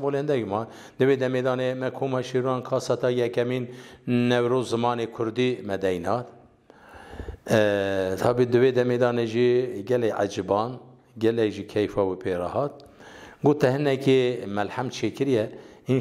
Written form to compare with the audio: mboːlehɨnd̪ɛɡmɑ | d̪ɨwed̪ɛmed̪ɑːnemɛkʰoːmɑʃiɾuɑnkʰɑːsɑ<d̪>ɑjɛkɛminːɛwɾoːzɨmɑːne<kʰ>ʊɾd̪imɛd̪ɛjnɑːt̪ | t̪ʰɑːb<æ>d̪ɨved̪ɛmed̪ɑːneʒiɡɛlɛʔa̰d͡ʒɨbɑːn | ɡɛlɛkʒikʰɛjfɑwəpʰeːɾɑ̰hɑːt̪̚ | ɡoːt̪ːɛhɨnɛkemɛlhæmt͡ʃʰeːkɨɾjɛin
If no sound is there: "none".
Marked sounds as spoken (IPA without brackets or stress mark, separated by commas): t̪, kʰ, i